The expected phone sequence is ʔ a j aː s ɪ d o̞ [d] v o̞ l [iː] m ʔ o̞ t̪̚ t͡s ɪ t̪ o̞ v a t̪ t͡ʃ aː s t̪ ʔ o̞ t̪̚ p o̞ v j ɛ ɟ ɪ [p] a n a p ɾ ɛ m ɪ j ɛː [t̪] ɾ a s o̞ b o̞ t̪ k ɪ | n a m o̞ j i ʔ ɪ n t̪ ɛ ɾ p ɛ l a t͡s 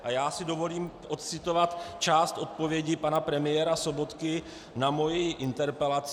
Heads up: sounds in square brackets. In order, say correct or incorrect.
incorrect, correct, correct, incorrect

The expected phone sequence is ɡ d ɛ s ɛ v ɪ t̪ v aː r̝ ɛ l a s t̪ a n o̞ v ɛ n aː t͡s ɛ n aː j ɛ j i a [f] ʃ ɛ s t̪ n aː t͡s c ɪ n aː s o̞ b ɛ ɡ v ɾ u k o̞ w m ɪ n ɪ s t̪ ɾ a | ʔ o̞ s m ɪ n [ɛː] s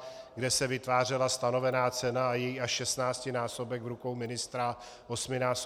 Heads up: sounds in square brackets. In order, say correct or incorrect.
incorrect, incorrect

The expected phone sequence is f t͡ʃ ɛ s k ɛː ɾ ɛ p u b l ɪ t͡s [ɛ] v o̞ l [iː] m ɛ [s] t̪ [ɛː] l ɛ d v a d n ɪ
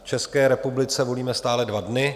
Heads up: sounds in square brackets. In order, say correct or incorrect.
correct, correct, correct, incorrect

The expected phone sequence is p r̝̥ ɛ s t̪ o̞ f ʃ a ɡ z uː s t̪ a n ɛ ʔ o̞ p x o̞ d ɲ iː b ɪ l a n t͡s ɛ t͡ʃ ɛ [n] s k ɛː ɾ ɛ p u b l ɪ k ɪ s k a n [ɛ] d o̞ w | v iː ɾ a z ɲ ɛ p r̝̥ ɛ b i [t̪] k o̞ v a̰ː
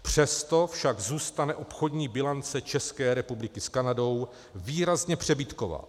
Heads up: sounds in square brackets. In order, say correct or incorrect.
incorrect, incorrect, correct

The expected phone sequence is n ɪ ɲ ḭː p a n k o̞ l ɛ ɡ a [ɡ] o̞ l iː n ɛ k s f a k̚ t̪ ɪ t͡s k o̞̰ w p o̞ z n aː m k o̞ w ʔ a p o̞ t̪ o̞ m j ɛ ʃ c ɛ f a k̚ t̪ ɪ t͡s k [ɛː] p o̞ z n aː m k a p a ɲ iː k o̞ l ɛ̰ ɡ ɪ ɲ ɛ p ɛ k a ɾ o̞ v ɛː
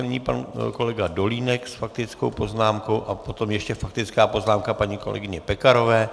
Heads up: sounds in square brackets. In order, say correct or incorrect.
incorrect, incorrect

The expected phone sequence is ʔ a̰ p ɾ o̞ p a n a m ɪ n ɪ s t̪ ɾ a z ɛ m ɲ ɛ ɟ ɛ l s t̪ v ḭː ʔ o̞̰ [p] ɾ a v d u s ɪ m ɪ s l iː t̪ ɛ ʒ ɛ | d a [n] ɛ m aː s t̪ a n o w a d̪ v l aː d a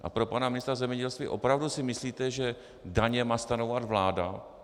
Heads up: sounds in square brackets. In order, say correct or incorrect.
correct, incorrect

